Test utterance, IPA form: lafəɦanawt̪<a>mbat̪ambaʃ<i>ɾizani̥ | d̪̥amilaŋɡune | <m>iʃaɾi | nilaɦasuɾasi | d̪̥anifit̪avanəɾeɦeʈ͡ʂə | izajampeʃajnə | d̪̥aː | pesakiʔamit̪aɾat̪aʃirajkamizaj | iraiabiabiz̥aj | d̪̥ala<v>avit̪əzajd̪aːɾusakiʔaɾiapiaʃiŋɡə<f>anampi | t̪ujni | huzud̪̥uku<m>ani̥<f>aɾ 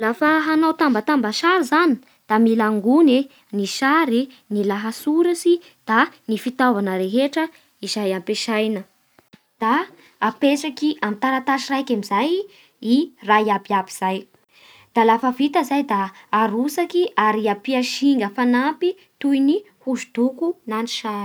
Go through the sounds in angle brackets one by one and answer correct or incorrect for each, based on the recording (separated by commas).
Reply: correct, incorrect, incorrect, incorrect, correct, incorrect, incorrect